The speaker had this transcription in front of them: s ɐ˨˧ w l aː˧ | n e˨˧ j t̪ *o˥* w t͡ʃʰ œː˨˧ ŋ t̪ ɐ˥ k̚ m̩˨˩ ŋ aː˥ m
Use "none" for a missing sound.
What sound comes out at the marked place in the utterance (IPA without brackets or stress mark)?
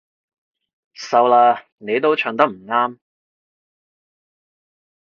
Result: o˥